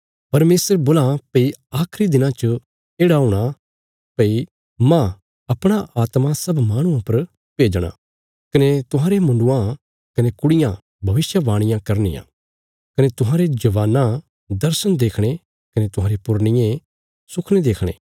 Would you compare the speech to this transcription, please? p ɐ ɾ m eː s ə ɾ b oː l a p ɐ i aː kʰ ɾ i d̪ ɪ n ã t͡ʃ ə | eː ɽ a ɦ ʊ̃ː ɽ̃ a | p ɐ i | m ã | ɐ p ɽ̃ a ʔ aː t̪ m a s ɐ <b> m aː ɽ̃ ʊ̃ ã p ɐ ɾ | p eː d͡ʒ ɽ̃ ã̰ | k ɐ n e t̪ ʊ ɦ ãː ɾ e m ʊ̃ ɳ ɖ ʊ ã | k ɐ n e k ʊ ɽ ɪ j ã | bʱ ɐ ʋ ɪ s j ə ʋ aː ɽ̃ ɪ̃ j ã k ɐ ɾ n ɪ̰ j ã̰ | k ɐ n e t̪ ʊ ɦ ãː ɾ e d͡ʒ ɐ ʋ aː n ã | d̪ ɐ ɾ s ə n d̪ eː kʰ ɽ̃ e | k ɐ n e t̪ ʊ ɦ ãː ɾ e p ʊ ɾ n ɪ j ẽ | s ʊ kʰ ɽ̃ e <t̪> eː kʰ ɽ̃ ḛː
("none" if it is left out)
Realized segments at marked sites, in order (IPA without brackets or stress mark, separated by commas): b, d̪